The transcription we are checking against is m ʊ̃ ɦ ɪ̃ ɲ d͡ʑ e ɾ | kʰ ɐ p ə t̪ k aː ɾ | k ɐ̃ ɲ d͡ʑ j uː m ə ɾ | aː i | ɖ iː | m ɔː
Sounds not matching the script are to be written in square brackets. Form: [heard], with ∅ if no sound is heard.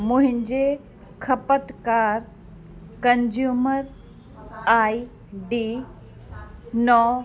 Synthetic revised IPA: m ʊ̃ ɦ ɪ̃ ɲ d͡ʑ e [∅] | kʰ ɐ p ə t̪ k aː ɾ | k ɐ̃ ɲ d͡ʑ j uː m ə ɾ | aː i | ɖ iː | [n] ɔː